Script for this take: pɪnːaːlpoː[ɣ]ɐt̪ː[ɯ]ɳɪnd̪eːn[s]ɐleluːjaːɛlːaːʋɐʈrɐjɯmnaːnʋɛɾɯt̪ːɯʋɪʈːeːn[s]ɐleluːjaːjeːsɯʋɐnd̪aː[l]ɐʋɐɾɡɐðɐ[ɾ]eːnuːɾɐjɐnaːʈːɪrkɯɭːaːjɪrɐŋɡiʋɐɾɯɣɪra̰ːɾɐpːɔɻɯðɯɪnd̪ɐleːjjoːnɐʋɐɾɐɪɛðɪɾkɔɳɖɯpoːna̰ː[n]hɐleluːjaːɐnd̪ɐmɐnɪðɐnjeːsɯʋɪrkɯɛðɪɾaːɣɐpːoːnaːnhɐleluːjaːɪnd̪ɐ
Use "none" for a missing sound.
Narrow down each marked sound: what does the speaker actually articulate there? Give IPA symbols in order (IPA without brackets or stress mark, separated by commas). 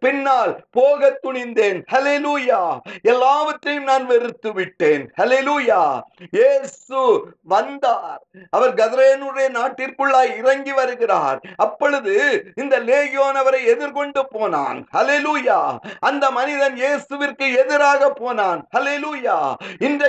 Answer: ɣ, ʊ, h, h, ɾ, ɾ, n